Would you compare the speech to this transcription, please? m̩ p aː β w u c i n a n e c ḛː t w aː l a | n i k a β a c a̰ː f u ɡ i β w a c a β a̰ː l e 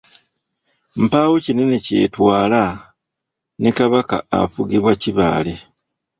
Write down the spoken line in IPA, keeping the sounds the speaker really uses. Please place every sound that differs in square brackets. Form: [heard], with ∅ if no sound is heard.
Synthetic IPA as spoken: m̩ p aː [∅] w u c i n [e] n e c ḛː t w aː l a | n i k a β a [k] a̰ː f u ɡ i β w a c [i] β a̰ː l e

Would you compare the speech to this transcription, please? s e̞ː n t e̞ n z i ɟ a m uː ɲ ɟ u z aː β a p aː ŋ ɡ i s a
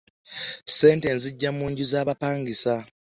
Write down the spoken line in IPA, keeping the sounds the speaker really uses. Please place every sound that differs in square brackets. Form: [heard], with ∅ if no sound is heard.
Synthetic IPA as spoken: s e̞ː n t e̞ n z i [ɟː] a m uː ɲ ɟ u z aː β a p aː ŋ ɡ i s a

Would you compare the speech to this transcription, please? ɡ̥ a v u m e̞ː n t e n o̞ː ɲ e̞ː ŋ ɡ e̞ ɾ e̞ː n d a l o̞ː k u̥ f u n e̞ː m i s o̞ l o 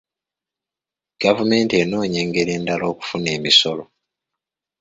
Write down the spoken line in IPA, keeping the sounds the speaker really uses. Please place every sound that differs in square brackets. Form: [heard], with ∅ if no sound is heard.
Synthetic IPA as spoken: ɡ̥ a v u m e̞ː n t e n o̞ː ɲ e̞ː ŋ ɡ e̞ ɾ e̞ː n d a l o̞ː k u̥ f u n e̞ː m i s o̞ l o

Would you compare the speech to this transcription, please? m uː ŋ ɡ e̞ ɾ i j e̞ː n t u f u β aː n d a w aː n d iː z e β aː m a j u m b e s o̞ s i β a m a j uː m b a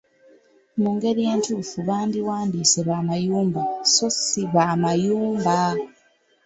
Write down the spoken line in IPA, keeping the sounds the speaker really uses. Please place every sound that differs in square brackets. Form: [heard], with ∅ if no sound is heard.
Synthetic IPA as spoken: m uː ŋ ɡ e̞ ɾ i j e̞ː n t u f u β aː n d [i] w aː n d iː [s] e β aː m a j [uː] m b [a] s o̞ s i β a m a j uː m b a

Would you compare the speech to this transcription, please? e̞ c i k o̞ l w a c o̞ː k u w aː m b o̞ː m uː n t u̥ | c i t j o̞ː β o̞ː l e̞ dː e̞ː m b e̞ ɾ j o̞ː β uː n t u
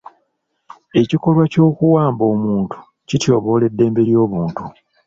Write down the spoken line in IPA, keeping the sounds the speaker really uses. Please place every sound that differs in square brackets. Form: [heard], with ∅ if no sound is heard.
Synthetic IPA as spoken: e̞ c i k o̞ l w a c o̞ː k u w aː m b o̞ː m uː n t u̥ | c i t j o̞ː β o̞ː l e̞ dː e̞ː m b e̞ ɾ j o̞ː β uː n t u

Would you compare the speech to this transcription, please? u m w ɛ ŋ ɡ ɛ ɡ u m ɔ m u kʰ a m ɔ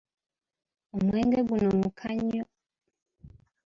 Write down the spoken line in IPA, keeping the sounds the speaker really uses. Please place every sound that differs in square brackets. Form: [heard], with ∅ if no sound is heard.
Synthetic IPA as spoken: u m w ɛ ŋ ɡ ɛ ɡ u [n] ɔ m u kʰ a [ɲ] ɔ

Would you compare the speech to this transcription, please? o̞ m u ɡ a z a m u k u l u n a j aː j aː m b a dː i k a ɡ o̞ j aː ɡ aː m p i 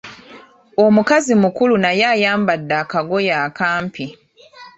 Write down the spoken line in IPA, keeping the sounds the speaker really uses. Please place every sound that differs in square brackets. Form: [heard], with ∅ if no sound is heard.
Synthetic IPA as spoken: o̞ m u [k] a z [i] m u k u l u n a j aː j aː m b a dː [a] k a ɡ o̞ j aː [k] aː m p i

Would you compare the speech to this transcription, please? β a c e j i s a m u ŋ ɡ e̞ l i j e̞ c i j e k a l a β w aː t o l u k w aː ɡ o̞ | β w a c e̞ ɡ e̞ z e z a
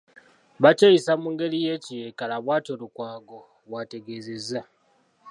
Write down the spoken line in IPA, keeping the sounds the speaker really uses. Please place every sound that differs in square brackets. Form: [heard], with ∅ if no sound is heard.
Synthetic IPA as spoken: β a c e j i s a m u ŋ ɡ e̞ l i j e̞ c i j e k a l a β w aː t o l u k w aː ɡ o̞ | β w a [t] e̞ ɡ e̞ z e z a

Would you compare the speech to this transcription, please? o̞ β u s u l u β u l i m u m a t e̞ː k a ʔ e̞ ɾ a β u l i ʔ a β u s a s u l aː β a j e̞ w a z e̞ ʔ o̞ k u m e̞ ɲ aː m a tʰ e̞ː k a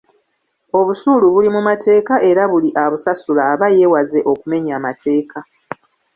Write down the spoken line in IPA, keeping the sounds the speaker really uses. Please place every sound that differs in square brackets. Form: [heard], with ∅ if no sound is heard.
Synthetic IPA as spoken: o̞ β u s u l u β u l i m u m a t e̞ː k a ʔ e̞ ɾ a β u l i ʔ a β u s a s u l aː β a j e̞ w a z e̞ ʔ o̞ k u m e̞ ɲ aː m a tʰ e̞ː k a

